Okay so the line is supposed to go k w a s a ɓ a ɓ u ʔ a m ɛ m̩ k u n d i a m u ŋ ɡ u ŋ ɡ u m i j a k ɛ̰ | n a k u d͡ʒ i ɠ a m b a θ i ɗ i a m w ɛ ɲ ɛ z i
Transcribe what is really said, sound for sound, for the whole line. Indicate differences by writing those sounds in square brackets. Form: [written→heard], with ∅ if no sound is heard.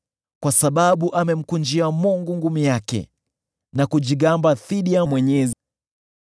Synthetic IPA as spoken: k w a s a ɓ a ɓ u ʔ a m ɛ m̩ k u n [d→d͡ʒ] i a m u ŋ ɡ u ŋ ɡ u m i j a k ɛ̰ | n a k u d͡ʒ i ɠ a m b a θ i ɗ i a m w ɛ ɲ ɛ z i